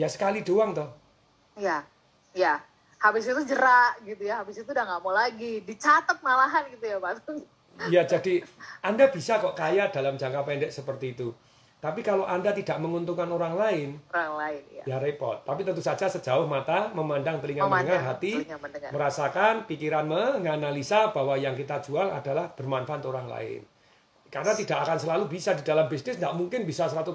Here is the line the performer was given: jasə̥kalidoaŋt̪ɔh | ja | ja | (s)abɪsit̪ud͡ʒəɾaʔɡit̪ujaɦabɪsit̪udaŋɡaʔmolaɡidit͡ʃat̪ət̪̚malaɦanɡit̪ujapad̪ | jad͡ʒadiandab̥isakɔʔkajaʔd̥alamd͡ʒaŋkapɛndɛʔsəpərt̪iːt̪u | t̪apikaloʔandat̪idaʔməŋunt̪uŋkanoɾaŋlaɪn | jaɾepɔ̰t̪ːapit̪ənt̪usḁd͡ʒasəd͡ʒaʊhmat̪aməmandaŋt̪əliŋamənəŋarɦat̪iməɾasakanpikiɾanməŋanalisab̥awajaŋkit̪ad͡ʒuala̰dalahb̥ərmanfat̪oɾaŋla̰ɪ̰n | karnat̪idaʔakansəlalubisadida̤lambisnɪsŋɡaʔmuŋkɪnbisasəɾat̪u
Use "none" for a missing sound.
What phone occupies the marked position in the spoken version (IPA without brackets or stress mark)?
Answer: h